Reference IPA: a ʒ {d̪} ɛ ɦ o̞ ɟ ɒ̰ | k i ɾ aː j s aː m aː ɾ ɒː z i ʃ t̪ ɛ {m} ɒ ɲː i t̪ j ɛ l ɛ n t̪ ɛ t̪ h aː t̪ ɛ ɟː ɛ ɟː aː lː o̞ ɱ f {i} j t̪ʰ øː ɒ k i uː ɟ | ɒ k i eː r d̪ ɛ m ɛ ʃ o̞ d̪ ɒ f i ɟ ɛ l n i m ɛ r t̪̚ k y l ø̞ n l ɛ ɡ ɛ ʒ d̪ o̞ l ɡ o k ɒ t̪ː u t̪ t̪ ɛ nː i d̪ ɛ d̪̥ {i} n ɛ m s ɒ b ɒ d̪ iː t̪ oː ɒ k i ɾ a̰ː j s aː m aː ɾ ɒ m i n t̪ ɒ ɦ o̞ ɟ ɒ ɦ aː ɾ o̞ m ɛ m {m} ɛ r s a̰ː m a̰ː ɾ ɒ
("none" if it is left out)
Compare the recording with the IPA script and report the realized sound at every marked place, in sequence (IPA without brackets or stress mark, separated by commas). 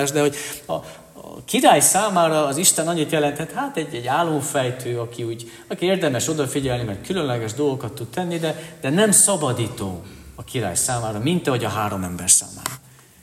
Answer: d̪, n, ɛ, ɛ, b